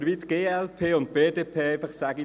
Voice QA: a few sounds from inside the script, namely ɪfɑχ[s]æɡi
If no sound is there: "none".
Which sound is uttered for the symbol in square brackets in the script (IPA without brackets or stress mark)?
s